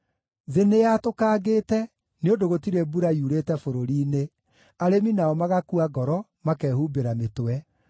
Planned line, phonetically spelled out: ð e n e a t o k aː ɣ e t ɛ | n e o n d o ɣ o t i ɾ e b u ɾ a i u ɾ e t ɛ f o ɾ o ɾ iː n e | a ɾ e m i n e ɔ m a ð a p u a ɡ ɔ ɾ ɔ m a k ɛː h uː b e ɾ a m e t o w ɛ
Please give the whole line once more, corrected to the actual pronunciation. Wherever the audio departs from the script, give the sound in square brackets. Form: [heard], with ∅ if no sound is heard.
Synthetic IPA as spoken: ð e n e a t o k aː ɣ e t ɛ | n e o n d o ɣ o t i ɾ e b u ɾ a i u ɾ e t ɛ f o ɾ o ɾ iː n e | a ɾ e m i n [a] ɔ m a [ɣ] a [k] u a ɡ ɔ ɾ ɔ m a k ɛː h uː b e ɾ a m e t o w ɛ

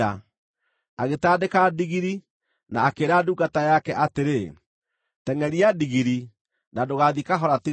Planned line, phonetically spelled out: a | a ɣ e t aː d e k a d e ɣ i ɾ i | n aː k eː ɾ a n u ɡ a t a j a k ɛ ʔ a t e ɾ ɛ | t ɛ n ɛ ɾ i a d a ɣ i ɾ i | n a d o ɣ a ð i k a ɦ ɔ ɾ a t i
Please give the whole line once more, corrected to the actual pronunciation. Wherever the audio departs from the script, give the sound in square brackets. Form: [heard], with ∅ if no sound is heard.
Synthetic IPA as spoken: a | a ɣ e t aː d e k a d [i] ɣ i ɾ i | n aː k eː ɾ a [d] u ɡ a t a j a k ɛ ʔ a t e ɾ [e] | t ɛ [ŋ] ɛ ɾ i a d [i] ɣ i ɾ i | n a d o ɣ a ð i k a ɦ ɔ ɾ a t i

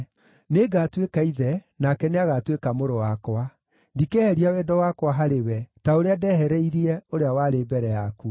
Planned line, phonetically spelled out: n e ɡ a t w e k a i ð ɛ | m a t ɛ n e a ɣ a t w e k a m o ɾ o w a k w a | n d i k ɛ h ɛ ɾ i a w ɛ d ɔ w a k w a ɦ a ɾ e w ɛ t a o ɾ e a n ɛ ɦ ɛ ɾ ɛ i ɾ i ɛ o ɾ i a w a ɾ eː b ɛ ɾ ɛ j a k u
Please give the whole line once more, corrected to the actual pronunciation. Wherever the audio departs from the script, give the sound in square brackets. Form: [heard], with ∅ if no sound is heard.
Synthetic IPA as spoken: n e ɡ a t w e k a i ð ɛ | [n] a [k] ɛ n e a ɣ a t w e k a m o ɾ o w a k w a | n d i k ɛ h ɛ ɾ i a w ɛ d ɔ w a k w a ɦ a ɾ e w ɛ t a o ɾ e a [d] ɛ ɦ ɛ ɾ ɛ i ɾ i ɛ o ɾ [e] a w a ɾ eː b ɛ ɾ ɛ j a k u

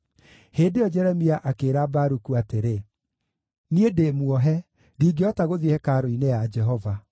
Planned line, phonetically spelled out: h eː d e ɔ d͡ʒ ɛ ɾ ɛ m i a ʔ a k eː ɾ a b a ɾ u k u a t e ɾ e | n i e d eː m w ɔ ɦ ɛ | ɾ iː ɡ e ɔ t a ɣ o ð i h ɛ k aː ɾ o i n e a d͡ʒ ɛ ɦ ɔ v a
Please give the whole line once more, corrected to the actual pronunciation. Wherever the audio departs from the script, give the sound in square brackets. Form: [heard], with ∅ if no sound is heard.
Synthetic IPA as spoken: h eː d e ɔ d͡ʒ ɛ ɾ ɛ m i a ʔ a k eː ɾ a b a ɾ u k u a t e ɾ e | n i e d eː m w ɔ ɦ ɛ | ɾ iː ɡ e ɔ t a ɣ o ð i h ɛ k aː ɾ o i n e a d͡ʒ ɛ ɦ ɔ v a

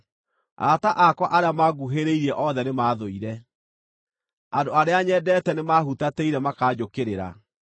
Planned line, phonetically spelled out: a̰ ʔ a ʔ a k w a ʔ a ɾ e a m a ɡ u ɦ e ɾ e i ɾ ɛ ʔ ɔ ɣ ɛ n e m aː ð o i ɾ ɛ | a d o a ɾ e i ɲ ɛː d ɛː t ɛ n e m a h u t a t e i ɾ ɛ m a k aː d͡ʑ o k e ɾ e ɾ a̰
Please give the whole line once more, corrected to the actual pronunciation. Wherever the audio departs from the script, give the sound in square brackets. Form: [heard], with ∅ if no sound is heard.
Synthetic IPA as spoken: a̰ [t] a ʔ a k w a ʔ a ɾ e a m a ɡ u ɦ e ɾ e i ɾ ɛ ʔ ɔ [ð] ɛ n e m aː ð o i ɾ ɛ | a d o a ɾ e [a] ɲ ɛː d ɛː t ɛ n e m a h u t a t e i ɾ ɛ m a k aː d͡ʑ o k e ɾ e ɾ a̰

